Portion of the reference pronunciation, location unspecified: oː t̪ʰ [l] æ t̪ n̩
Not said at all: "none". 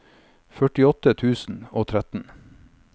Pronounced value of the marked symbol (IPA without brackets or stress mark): ɾ